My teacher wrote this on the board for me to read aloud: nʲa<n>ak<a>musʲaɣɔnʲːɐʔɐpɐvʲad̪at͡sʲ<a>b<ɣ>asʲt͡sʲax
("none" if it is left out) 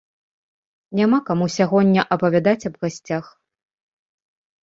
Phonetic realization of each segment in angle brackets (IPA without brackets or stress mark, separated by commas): m, a, ɐ, ɣ